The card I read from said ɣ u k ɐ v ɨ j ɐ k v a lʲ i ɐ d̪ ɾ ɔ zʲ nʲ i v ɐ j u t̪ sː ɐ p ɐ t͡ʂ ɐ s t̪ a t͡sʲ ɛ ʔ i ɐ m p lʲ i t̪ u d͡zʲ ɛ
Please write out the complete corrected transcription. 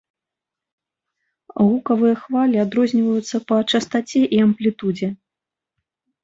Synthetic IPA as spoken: ɣ u k ɐ v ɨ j ɐ x v a lʲ i a d̪ ɾ ɔ zʲ nʲ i v ɐ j u t̪ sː ɐ p ɐ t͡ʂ ɐ s t̪ a t͡sʲ ɛ ʔ i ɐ m p lʲ i t̪ u d͡zʲ ɛ